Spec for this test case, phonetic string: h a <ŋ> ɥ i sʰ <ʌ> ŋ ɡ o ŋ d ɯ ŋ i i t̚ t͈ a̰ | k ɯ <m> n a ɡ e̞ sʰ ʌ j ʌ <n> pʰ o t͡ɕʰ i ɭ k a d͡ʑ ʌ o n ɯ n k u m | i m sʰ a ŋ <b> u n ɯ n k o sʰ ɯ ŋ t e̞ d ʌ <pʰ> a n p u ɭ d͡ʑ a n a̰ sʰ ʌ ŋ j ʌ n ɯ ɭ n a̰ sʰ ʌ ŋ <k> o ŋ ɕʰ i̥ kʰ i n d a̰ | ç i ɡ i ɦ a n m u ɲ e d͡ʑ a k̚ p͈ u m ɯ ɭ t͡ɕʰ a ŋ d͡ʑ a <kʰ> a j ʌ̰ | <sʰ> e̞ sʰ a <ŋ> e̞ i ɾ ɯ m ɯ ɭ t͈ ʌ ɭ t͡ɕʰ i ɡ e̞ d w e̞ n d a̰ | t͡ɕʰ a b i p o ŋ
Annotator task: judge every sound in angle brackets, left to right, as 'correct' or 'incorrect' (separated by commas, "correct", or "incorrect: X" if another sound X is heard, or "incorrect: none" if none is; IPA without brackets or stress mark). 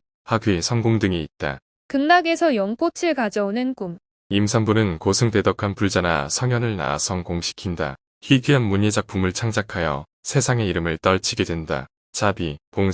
incorrect: ɡ, correct, incorrect: ŋ, incorrect: ŋ, correct, incorrect: kʰ, correct, correct, correct, correct